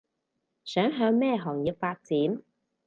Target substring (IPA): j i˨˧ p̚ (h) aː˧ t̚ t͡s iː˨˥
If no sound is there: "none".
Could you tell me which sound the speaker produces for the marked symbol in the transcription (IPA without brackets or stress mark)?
f